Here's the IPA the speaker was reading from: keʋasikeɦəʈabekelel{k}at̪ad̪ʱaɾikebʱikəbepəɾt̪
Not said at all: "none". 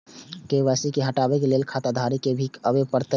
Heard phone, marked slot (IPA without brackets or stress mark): kʰ